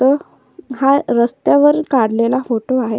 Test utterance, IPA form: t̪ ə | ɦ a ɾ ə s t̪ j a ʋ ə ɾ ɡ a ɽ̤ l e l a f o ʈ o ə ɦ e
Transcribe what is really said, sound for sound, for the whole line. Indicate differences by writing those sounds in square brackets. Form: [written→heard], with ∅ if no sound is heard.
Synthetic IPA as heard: t̪ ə | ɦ a ɾ ə s t̪ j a ʋ ə ɾ [ɡ→k] a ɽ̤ l e l a f o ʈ o [ə→a] ɦ e

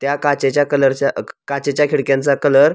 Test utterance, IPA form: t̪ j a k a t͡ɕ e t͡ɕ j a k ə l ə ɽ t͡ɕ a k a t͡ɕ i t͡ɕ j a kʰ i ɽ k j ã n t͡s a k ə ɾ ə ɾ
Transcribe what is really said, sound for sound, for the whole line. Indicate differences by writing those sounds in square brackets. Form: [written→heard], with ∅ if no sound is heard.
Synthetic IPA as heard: t̪ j a k a t͡ɕ e t͡ɕ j a k ə l ə [ɽ→ɾ] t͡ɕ a k a t͡ɕ [i→e] t͡ɕ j a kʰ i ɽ k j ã n t͡s a k ə [ɾ→l] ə ɾ

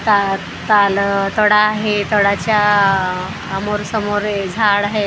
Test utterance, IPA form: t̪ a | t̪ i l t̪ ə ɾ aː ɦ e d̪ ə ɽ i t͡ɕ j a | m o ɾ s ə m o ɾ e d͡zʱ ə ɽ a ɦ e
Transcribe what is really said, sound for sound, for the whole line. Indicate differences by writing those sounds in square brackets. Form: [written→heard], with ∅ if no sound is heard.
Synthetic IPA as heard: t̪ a | t̪ [i→a] l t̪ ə [ɾ→ɽ] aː ɦ e [d̪→t̪] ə ɽ [i→a] t͡ɕ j a | m o ɾ s ə m o ɾ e d͡zʱ [ə→a] ɽ a ɦ e

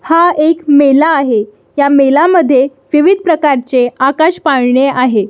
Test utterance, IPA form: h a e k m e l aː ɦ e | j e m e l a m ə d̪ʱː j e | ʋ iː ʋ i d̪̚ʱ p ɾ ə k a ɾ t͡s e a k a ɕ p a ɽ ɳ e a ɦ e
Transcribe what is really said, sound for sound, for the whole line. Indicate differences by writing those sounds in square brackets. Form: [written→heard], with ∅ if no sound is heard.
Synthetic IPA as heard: h a e k m e l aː ɦ e | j [e→a] m e l a m ə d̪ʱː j e | ʋ [iː→i] ʋ i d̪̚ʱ p ɾ ə k a ɾ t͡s e a k a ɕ p a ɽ ɳ e a ɦ e

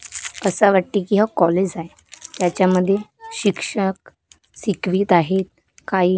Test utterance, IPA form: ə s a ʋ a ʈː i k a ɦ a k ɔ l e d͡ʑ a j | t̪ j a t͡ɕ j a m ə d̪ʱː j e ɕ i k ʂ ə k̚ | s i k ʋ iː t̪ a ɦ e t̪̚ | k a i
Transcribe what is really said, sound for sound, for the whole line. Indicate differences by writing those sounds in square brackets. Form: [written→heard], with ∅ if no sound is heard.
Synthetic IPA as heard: ə s a ʋ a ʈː i k [a→i] ɦ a k ɔ l e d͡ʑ a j | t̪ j a t͡ɕ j a m ə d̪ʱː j e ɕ i k ʂ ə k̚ | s i k ʋ iː t̪ a ɦ e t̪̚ | k a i

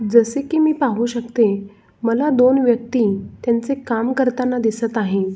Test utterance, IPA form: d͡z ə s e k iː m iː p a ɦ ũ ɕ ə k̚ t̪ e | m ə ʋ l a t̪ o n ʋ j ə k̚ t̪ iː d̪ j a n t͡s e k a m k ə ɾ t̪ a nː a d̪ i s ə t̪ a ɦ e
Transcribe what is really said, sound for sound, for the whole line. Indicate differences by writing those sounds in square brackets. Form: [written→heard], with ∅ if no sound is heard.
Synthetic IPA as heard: d͡z ə s e k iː m iː p a ɦ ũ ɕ ə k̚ t̪ e | m ə [ʋ→∅] l a [t̪→d̪] o n ʋ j ə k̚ t̪ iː [d̪→t̪] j a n t͡s e k a m k ə ɾ t̪ a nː a d̪ i s ə t̪ a ɦ e

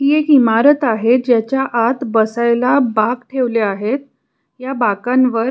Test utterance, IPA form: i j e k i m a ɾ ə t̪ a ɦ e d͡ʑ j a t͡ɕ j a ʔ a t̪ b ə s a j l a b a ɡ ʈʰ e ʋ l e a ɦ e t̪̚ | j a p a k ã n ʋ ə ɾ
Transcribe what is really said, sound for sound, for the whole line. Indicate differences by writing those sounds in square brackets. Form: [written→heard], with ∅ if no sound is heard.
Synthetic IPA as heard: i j e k i m a ɾ ə t̪ a ɦ e d͡ʑ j a t͡ɕ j a ʔ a t̪ b ə s a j l a b a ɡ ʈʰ e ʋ l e a ɦ e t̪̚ | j a [p→b] a k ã n ʋ ə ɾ

